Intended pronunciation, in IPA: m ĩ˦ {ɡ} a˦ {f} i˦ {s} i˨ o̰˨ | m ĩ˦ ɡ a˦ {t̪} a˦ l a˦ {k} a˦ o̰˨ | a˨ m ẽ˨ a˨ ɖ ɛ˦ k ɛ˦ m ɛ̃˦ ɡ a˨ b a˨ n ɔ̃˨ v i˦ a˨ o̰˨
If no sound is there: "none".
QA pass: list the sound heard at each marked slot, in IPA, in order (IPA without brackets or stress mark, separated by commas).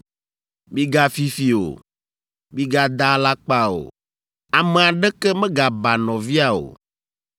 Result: ɡ, f, f, d̪, k͡p